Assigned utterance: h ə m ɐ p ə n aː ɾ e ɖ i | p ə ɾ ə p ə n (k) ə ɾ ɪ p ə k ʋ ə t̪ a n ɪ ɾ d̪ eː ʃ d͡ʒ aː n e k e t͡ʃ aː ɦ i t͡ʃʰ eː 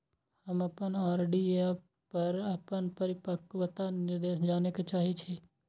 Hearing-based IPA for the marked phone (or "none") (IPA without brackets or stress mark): p